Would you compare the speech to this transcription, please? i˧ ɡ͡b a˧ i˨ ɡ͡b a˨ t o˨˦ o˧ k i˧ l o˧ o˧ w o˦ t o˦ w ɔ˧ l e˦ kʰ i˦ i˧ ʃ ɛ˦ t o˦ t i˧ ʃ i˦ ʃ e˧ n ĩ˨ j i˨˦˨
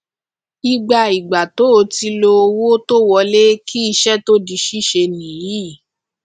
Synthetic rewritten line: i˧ ɡ͡b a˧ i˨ ɡ͡b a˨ t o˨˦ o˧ t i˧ l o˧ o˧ w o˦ t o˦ w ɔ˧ l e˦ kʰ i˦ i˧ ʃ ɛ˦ t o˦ d i˧ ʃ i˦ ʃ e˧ n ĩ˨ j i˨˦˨

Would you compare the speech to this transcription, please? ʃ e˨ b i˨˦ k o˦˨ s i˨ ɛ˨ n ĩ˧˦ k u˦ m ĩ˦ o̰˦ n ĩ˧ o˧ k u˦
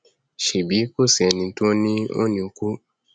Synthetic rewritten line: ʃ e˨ b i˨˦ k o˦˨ s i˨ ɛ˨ n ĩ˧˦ t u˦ n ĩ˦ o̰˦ n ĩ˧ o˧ k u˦

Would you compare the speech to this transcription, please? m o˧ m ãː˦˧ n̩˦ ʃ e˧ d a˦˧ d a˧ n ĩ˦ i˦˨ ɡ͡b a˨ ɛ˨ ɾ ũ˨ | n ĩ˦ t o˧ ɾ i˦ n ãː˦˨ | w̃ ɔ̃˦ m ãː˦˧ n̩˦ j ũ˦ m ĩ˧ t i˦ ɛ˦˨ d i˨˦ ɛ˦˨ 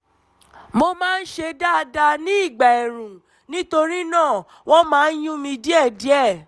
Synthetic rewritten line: m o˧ m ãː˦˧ n̩˦ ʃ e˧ d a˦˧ d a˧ n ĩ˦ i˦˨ ɡ͡b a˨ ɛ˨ ɾ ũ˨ | n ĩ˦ t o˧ ɾ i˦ n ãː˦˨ | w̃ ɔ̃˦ m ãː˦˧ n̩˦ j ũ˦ m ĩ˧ d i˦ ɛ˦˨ d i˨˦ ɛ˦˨

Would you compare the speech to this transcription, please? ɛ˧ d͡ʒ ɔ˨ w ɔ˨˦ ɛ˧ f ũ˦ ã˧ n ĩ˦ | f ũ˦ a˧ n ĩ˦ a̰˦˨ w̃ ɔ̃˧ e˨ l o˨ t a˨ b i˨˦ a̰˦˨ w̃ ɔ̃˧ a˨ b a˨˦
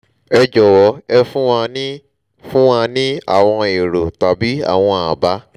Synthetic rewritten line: ɛ˧ d͡ʒ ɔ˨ w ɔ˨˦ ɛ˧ f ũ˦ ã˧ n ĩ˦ | f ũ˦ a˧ n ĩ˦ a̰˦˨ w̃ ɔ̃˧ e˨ ɾ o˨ t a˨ b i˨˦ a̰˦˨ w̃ ɔ̃˧ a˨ b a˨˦

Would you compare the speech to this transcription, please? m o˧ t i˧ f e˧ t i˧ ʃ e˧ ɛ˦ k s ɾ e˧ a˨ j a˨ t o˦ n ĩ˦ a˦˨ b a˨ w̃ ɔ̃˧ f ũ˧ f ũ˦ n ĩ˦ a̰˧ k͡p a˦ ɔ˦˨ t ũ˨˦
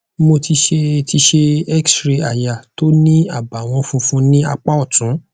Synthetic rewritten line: m o˧ t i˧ ʃ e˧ t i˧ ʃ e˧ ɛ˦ k s ɾ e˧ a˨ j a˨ t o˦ n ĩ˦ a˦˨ b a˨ w̃ ɔ̃˧ f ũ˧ f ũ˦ n ĩ˦ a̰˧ k͡p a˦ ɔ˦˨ t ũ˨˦

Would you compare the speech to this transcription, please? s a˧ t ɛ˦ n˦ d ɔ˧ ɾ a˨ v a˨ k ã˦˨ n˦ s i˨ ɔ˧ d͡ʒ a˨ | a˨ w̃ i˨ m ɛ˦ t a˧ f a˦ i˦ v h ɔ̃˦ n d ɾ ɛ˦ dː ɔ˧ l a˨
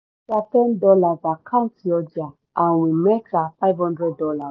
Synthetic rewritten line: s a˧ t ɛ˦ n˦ d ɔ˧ l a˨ v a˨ k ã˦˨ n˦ t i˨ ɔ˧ d͡ʒ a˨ | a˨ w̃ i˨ m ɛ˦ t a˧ f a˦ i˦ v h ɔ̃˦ n d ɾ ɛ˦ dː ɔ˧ l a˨

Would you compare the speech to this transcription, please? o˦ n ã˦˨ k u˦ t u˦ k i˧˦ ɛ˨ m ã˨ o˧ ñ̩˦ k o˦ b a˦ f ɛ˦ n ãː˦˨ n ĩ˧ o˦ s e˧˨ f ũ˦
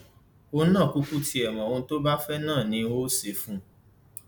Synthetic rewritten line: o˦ n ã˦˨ k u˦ k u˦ t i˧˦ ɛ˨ m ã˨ o˧ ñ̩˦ t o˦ b a˦ f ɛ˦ n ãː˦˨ n ĩ˧ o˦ s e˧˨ f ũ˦

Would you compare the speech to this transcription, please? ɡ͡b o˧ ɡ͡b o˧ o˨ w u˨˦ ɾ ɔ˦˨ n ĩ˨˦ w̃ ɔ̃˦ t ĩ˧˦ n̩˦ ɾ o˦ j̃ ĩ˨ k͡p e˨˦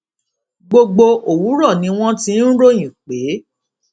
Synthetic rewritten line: ɡ͡b o˧ ɡ͡b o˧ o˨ w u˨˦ ɾ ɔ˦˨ n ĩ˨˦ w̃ ɔ̃˦ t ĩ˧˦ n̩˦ ɾ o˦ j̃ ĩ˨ k͡p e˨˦

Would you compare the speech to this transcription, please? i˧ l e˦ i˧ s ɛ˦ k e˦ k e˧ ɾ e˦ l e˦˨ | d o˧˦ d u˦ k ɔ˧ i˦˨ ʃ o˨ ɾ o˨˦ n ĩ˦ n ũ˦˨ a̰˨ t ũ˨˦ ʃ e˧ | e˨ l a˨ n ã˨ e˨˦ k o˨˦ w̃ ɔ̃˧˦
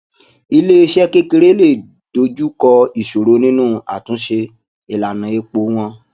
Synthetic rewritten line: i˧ l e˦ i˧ ʃ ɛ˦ k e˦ k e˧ ɾ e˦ l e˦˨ | d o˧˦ d͡ʒ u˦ k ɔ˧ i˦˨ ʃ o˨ ɾ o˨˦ n ĩ˦ n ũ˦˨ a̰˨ t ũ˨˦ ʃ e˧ | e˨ l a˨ n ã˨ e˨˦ k͡p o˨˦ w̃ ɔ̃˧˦

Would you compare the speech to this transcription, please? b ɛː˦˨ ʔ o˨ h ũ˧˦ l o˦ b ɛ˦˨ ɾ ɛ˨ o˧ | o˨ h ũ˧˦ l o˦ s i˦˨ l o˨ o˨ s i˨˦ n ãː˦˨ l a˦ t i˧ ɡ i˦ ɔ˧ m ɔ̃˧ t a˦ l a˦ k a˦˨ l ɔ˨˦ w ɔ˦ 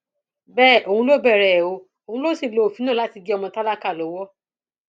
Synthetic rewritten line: b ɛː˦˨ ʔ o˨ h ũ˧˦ l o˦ b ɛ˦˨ ɾ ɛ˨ o˧ | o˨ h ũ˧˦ l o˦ s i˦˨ l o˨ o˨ f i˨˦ n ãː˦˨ l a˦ t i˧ ɡ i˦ ɔ˧ m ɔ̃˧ t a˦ l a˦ k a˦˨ l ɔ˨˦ w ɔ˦

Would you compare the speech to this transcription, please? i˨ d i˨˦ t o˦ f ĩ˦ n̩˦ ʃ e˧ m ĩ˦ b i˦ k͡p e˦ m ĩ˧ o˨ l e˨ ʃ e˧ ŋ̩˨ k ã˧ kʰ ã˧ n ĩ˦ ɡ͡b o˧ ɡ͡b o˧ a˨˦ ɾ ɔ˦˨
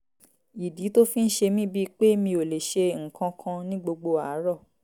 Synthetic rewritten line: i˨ d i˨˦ t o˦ f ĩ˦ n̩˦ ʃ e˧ m ĩ˦ b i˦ k͡p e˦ m ĩ˧ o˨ l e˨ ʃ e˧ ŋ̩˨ k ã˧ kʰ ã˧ n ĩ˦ ɡ͡b o˧ ɡ͡b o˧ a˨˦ ɾ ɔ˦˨

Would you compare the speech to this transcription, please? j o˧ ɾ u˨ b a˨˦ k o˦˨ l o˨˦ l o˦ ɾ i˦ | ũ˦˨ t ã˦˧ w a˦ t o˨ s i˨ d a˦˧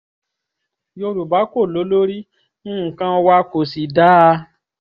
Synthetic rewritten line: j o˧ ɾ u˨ b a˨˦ k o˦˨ l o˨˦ l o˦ ɾ i˦ | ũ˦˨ k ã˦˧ w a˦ k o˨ s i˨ d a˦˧

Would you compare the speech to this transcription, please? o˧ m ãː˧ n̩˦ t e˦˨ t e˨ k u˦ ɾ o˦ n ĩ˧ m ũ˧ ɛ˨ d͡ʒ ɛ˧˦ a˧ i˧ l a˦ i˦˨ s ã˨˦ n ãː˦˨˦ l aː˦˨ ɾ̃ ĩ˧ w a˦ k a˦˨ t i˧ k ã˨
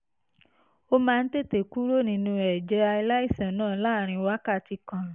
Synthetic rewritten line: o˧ m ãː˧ n̩˦ t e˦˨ t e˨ k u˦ ɾ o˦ n ĩ˧ n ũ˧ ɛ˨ d͡ʒ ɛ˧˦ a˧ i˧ l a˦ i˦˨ s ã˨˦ n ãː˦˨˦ l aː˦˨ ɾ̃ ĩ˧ w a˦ k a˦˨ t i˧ k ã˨

